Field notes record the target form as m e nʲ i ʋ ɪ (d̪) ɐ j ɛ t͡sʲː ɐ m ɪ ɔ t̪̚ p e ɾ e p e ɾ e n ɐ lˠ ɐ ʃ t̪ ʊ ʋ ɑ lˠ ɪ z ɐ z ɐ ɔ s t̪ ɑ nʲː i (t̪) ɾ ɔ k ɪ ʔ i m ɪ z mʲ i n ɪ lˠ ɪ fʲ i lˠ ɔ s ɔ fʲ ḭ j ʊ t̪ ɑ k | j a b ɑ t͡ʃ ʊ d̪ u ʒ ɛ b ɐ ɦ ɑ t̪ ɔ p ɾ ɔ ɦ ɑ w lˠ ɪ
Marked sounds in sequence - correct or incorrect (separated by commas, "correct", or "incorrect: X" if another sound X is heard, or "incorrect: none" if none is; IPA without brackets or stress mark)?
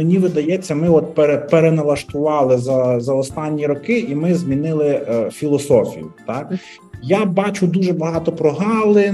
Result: correct, incorrect: none